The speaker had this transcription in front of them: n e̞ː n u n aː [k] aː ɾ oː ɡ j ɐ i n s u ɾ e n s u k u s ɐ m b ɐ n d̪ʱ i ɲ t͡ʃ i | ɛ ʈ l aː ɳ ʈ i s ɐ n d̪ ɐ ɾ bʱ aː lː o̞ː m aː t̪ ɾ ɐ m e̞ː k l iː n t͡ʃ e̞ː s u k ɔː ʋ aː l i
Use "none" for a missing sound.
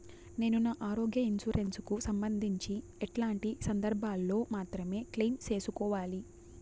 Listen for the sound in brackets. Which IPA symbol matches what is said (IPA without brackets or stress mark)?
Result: ʔ